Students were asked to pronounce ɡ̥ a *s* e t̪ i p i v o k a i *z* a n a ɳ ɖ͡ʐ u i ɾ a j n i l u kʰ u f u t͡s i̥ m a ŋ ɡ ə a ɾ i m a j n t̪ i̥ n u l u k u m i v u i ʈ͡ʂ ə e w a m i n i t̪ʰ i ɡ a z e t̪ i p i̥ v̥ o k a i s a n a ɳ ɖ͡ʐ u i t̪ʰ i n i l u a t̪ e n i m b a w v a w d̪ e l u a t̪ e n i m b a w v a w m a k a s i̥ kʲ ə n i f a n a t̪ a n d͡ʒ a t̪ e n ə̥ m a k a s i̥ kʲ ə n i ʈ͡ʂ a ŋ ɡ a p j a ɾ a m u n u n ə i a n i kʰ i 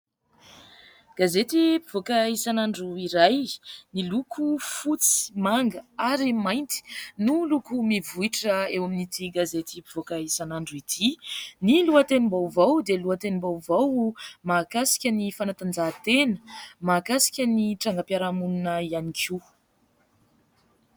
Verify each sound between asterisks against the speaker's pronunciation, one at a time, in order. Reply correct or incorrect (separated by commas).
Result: incorrect, incorrect